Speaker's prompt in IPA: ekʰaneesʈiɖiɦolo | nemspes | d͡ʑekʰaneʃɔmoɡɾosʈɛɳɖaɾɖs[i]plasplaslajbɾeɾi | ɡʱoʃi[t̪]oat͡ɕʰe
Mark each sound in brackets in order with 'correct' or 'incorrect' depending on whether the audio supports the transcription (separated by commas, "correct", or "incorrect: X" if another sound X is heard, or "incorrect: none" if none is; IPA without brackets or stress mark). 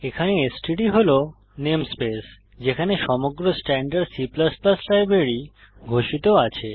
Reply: correct, correct